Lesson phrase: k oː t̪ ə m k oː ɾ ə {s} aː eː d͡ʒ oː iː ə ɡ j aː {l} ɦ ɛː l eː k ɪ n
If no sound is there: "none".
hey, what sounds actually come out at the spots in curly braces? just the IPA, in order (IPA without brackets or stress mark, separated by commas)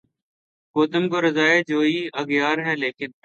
z, ɾ